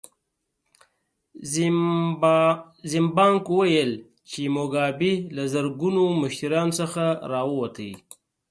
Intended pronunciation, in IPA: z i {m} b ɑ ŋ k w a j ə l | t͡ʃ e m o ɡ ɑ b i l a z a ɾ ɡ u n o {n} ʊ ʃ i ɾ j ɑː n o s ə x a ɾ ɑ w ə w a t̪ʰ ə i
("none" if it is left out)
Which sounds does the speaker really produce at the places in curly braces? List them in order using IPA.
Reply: m, m

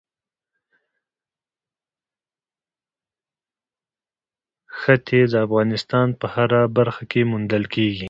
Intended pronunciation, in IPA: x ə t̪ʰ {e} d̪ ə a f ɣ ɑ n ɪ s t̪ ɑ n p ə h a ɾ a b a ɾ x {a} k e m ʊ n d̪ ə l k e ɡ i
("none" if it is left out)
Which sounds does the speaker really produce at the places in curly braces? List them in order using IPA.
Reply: e, a

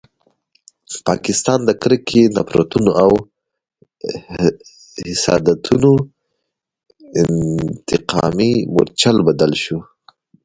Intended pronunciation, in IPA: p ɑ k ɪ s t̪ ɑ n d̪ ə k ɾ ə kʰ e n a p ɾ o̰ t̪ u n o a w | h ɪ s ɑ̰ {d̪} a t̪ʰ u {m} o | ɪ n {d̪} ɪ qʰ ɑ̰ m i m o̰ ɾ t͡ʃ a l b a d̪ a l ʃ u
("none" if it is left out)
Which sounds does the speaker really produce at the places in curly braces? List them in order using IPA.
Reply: d̪, n, t̪

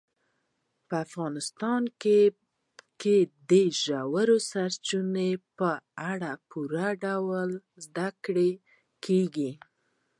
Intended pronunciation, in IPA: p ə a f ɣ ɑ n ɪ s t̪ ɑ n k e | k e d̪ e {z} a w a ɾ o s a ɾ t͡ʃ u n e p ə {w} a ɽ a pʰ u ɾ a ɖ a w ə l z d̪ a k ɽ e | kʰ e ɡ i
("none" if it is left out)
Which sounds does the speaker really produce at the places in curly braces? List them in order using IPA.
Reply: ʒ, none

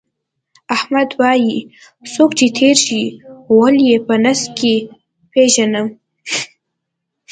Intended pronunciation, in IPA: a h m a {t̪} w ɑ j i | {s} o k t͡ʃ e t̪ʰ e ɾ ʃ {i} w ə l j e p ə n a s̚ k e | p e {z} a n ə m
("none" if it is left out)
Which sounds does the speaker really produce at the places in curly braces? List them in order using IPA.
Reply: d̪, s, i, ʒ

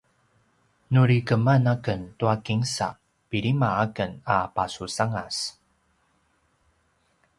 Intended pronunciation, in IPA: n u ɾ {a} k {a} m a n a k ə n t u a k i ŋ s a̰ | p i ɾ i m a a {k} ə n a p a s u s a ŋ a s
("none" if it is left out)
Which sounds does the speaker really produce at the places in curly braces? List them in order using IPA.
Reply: i, ə, k

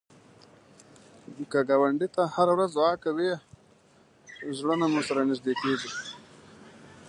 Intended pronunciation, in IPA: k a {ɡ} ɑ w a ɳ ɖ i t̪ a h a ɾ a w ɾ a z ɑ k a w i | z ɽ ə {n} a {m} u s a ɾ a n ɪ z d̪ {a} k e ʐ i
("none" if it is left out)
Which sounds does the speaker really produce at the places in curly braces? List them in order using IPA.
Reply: ɡ, n, m, e

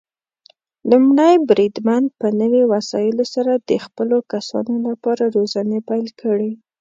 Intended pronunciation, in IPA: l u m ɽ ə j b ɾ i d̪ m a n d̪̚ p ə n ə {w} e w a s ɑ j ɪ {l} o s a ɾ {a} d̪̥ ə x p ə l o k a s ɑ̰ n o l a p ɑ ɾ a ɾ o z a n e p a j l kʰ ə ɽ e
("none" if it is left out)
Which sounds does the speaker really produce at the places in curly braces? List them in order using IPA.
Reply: w, l, a

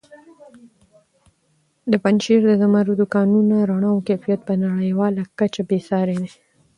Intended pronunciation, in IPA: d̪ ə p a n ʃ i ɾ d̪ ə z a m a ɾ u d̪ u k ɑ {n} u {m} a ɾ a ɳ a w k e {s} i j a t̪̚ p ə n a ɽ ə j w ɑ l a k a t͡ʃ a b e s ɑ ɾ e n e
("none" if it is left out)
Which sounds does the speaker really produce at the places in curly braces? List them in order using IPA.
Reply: n, n, f

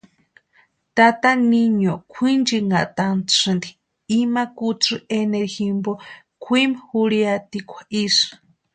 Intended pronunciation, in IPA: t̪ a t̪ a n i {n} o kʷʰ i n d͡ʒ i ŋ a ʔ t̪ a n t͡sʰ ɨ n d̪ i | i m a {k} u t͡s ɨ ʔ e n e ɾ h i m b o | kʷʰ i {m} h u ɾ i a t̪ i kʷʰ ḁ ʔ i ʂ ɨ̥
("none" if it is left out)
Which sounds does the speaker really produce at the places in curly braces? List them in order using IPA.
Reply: ɲ, k, m

